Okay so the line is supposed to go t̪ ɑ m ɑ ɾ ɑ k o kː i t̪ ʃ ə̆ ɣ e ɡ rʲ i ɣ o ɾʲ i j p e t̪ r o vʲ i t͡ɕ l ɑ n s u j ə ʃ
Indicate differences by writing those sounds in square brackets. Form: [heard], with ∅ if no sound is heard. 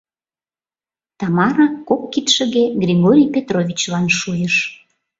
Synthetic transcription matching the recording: t̪ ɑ m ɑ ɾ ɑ k o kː i t̪ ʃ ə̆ ɣ e ɡ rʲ i ɣ o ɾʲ i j p e t̪ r o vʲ i t͡ɕ l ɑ n [ʃ] u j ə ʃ

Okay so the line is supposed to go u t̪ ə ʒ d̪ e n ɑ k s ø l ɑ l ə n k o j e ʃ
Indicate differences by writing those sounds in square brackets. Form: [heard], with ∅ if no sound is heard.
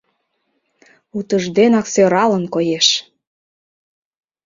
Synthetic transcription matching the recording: u t̪ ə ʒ d̪ e n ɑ k s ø [ɾ] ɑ l ə n k o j e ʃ

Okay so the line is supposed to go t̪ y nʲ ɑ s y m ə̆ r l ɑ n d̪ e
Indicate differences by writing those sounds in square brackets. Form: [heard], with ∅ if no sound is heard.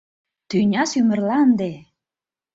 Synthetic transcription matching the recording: t̪ y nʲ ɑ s y m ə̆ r l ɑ n d̪ e

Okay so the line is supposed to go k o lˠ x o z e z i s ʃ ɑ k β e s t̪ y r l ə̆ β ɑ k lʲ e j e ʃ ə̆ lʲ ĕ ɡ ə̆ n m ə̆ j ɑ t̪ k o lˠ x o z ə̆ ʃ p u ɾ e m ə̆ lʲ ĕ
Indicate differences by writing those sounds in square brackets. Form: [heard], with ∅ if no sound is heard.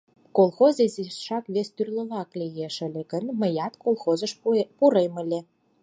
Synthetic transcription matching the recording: k o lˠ x o z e z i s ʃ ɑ k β e s t̪ y r l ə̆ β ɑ k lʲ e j e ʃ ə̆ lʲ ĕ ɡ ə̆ n m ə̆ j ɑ t̪ k o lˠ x o z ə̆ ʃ p u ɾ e m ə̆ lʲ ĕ

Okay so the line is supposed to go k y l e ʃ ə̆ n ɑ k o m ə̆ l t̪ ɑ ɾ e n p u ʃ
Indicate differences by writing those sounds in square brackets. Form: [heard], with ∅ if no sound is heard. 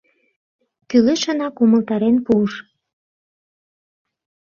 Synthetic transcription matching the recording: k y l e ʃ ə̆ n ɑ k [u] m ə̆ l t̪ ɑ ɾ e n p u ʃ

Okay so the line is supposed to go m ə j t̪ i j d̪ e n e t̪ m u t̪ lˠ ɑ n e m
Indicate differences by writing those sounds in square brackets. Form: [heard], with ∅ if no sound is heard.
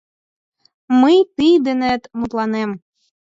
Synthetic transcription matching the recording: m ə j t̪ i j d̪ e n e t̪ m u t̪ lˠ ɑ n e m

